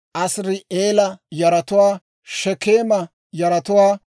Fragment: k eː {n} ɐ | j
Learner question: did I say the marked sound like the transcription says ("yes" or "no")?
no